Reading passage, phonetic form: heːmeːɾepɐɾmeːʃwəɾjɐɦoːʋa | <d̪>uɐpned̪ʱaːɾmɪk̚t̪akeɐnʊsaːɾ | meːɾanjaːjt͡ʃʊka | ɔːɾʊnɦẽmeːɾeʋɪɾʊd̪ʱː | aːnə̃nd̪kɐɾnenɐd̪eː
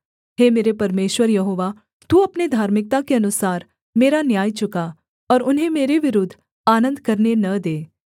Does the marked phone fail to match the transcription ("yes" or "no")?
yes